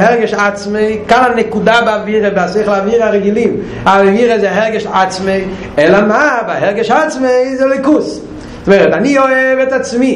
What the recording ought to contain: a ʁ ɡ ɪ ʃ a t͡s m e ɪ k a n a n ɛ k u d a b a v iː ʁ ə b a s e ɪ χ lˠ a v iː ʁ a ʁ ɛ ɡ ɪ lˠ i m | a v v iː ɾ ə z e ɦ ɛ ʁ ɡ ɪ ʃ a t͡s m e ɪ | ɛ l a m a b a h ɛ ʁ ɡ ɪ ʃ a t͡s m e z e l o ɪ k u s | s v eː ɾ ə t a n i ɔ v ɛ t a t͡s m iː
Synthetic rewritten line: ɛ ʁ ɡ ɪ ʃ a t͡s m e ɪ k a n a n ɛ k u d a b a v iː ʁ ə b a s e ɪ χ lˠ a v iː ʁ a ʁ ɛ ɡ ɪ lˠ i m | a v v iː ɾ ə z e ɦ ɛ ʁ ɡ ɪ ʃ a t͡s m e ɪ | ɛ l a m a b a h ɛ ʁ ɡ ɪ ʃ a t͡s m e z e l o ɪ k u s | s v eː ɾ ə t a n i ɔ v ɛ t a t͡s m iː